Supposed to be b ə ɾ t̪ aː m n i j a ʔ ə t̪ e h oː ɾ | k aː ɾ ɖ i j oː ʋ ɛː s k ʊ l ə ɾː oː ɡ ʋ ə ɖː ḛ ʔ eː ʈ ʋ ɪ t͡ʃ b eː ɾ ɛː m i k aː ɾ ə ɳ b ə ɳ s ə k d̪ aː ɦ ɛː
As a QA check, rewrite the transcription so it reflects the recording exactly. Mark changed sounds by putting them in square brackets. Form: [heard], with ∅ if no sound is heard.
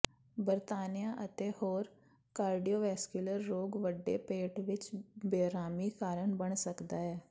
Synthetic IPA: b ə ɾ t̪ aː [∅] n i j a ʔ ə t̪ e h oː ɾ | k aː ɾ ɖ i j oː ʋ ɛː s k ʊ l ə ɾː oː ɡ ʋ ə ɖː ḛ [p] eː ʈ ʋ ɪ t͡ʃ b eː ɾ [aː] m i k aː ɾ ə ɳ b ə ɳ s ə k d̪ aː ɦ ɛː

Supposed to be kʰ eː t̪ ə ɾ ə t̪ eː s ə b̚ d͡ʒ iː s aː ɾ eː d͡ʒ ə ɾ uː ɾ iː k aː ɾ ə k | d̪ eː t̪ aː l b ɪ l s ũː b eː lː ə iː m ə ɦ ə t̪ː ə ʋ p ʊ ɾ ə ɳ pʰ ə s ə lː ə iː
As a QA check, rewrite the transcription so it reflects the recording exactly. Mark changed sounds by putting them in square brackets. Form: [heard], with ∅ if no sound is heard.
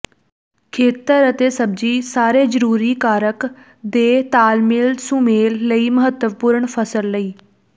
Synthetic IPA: kʰ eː t̪ ə ɾ ə t̪ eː s ə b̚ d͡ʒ iː s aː ɾ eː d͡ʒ ə ɾ uː ɾ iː k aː ɾ ə k | d̪ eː t̪ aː l [m] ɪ l s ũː [m] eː lː ə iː m ə ɦ ə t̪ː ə ʋ p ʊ ɾ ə ɳ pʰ ə s ə lː ə iː

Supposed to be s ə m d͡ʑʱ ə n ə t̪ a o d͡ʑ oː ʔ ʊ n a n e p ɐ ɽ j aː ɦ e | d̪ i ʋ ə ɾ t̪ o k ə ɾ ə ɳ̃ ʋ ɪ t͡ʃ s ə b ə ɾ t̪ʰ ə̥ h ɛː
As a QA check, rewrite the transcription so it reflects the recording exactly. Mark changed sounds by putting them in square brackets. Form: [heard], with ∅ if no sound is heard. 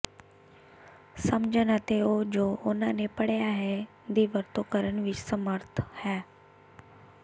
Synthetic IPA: s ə m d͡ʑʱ ə n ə t̪ [e] o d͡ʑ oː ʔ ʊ n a n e p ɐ ɽ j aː ɦ e | d̪ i ʋ ə ɾ t̪ o k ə ɾ ə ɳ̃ ʋ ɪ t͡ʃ s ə [m] ə ɾ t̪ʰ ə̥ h ɛː

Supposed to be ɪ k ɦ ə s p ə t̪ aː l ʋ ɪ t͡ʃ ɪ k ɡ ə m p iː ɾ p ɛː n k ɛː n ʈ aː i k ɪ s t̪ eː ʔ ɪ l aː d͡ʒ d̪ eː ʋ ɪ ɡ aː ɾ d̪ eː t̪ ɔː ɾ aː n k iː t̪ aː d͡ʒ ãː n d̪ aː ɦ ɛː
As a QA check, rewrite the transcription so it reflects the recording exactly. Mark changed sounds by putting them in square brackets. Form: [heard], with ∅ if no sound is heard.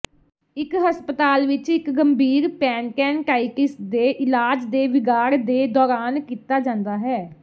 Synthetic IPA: ɪ k ɦ ə s p ə t̪ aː l ʋ ɪ t͡ʃ ɪ k ɡ ə m [b] iː ɾ p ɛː n k ɛː n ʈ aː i k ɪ s [d̪] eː ʔ ɪ l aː d͡ʒ d̪ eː ʋ ɪ ɡ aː ɾ d̪ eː [d̪] ɔː ɾ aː n k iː t̪ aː d͡ʒ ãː n d̪ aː ɦ ɛː

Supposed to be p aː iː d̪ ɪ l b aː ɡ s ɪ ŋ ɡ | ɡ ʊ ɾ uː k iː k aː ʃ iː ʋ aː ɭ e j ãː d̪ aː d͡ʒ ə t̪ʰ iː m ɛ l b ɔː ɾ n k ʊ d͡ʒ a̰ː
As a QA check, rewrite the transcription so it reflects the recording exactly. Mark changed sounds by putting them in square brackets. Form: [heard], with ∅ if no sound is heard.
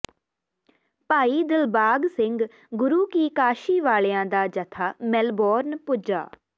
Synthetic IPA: p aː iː d̪ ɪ l b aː ɡ s ɪ ŋ ɡ | ɡ ʊ ɾ uː k iː k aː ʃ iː ʋ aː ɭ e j ãː d̪ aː d͡ʒ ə t̪ʰ [aː] m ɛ l b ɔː ɾ n [p] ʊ d͡ʒ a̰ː

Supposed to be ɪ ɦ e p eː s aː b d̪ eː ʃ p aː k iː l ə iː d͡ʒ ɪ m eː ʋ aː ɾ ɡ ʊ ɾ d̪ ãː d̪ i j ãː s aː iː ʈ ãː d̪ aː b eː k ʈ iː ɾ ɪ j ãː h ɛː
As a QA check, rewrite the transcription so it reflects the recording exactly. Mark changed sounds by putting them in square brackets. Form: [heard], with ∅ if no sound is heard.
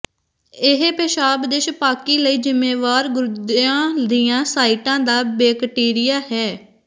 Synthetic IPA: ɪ ɦ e p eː [ʃ] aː b d̪ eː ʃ p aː k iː l ə iː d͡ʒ ɪ m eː ʋ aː ɾ ɡ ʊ ɾ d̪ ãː d̪ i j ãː s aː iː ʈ ãː d̪ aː b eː k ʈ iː ɾ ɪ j [aː] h ɛː

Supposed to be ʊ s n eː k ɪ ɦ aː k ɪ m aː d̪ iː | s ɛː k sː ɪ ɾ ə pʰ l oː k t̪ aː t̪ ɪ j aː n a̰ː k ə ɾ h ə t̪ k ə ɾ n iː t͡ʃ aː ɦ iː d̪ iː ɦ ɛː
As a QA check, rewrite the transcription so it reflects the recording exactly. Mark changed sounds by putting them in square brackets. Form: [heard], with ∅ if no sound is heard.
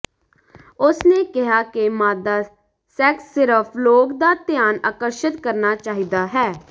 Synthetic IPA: ʊ s n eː k ɪ ɦ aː k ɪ m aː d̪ [aː] | s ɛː k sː ɪ ɾ ə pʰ l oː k [d̪] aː t̪ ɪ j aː n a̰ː k ə ɾ [ʃ] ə t̪ k ə ɾ n [aː] t͡ʃ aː ɦ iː d̪ [aː] ɦ ɛː

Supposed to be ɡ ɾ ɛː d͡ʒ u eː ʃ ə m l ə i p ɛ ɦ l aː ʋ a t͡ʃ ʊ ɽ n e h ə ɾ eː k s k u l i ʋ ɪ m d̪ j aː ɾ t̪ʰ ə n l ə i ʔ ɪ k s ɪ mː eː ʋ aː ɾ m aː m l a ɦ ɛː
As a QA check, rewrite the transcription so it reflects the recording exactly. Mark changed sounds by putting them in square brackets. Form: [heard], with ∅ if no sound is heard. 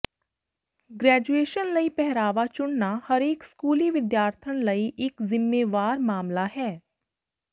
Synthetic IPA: ɡ ɾ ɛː d͡ʒ u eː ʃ ə [n] l ə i p ɛ ɦ [ɾ] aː ʋ a t͡ʃ ʊ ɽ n [a] h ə ɾ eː k s k [uː] l i ʋ ɪ [∅] d̪ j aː ɾ t̪ʰ ə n l ə i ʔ ɪ k [z] ɪ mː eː ʋ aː ɾ m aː m l a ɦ ɛː

